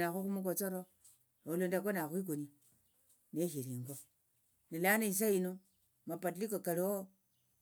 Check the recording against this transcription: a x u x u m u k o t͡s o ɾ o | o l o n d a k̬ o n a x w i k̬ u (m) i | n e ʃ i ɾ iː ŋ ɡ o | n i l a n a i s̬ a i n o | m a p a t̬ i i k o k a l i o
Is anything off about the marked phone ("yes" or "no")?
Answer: yes